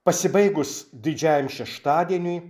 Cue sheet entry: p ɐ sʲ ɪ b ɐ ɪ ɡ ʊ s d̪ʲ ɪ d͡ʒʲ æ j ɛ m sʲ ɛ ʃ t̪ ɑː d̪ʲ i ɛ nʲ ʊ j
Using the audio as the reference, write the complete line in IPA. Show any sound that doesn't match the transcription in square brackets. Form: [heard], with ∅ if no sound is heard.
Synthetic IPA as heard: p ɐ sʲ ɪ b ɐ ɪ ɡ ʊ s d̪ʲ ɪ d͡ʒʲ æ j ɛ m [ʃʲ] ɛ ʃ t̪ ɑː d̪ʲ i ɛ nʲ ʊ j